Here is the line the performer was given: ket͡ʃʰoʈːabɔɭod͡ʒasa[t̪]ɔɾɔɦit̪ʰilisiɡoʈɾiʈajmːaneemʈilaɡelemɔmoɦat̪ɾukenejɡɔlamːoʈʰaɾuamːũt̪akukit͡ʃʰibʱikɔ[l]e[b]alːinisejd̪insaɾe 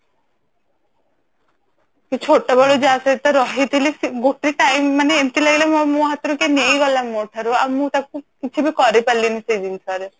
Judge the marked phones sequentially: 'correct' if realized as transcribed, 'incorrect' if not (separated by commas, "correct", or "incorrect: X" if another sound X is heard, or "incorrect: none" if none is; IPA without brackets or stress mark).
correct, incorrect: ɾ, incorrect: p